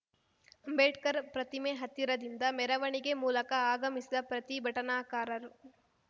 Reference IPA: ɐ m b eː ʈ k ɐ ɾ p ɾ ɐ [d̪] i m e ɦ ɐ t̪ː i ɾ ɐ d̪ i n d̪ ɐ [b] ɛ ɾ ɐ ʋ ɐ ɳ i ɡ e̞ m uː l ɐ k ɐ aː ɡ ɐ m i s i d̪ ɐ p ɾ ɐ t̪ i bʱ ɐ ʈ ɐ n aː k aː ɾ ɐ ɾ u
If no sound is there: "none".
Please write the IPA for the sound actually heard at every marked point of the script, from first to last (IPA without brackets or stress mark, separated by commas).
t̪, m